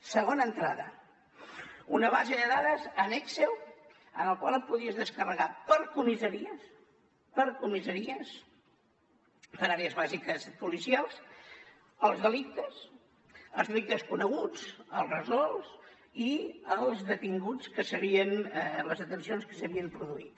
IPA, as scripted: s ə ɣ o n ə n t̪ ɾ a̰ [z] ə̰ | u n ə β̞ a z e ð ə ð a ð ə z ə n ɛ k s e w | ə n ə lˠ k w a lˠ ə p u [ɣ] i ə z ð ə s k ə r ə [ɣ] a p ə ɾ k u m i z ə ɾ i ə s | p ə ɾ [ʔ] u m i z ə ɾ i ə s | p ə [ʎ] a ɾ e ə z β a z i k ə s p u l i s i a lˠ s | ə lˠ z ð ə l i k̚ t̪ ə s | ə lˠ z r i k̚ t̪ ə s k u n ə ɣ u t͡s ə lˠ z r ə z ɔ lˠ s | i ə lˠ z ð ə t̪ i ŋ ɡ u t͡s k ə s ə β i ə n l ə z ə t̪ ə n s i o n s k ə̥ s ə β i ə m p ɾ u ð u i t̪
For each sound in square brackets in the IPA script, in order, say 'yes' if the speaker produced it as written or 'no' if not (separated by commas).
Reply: no, no, yes, no, no